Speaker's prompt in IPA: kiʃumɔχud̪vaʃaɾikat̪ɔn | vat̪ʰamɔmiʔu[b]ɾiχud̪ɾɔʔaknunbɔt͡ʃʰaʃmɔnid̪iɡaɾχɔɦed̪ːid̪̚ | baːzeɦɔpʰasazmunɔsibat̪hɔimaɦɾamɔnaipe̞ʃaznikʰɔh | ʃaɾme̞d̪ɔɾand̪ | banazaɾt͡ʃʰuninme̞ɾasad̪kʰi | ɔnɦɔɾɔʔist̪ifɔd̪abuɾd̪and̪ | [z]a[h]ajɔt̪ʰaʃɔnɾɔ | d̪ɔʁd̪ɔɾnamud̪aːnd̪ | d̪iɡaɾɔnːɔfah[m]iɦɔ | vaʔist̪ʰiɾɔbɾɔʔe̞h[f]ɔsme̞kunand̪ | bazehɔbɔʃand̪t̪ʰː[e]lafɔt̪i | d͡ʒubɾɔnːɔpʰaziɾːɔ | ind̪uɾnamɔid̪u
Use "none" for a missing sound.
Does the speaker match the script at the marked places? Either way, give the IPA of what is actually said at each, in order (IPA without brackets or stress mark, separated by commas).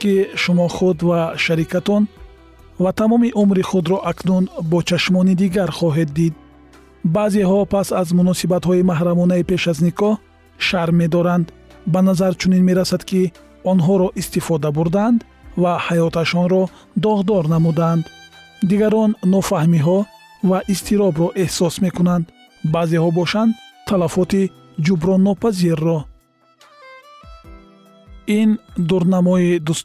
m, v, h, m, s, a